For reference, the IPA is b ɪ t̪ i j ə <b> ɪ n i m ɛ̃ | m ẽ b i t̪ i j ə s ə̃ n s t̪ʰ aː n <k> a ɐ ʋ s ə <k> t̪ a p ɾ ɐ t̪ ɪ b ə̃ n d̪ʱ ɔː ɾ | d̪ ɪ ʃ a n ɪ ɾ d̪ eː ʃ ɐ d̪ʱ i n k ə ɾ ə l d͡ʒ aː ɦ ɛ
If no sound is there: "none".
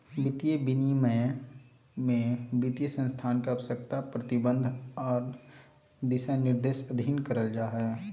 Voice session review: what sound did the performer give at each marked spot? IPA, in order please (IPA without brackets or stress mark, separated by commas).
b, k, k